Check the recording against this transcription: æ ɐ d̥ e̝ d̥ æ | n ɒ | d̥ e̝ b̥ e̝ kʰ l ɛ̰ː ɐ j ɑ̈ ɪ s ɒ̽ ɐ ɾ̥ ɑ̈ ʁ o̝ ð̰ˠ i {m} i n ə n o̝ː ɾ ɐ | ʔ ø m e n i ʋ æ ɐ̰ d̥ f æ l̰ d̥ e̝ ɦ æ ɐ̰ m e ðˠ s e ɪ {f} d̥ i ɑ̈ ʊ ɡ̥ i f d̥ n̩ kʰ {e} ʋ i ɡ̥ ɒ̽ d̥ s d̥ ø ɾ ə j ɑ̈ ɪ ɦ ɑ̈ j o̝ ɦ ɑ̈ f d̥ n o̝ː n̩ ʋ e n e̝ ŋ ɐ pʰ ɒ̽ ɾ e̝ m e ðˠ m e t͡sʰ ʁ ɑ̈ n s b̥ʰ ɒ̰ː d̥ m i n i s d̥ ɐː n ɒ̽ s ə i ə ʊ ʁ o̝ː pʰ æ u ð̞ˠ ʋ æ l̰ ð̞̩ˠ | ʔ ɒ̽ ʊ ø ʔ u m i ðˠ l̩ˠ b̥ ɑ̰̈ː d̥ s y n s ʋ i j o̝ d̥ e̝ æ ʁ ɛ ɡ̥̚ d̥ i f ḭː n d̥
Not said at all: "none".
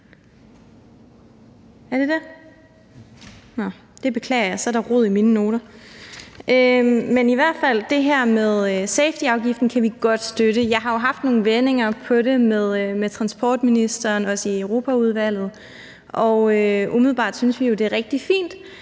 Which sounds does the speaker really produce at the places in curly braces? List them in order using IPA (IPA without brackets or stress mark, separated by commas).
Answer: m, f, æ